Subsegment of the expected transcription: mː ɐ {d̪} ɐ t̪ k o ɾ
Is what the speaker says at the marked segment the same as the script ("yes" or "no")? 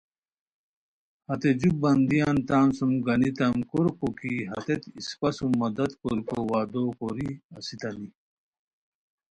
yes